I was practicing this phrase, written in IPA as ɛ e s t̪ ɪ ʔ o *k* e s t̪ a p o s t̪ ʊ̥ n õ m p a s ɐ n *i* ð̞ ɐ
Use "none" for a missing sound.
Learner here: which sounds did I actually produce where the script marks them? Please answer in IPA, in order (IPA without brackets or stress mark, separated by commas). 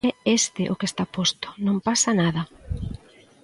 k, a